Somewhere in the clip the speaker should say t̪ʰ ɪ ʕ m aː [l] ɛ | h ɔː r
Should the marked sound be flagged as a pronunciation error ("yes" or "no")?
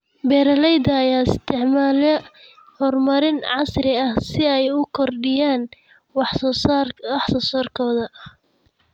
no